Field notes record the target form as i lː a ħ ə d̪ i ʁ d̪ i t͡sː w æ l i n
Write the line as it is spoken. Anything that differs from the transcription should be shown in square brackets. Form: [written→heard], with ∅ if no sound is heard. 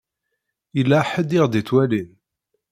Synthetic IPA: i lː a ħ ə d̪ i ʁ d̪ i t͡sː w æ l i n